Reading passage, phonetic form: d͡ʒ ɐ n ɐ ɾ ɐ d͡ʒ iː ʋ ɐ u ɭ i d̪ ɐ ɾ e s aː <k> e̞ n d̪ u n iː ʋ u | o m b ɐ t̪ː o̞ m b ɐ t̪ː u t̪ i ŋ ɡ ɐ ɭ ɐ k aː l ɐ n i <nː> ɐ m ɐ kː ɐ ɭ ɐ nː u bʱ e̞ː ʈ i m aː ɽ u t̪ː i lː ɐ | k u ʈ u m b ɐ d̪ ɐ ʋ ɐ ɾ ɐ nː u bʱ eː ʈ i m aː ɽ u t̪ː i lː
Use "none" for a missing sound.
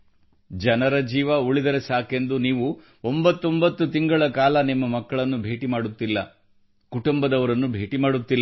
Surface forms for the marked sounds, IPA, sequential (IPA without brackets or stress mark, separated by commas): k, mː